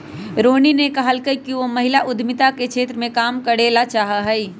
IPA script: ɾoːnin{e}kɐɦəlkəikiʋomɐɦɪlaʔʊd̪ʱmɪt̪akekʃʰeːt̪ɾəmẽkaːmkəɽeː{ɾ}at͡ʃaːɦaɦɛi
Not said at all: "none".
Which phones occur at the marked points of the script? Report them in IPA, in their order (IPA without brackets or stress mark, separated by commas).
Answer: e, l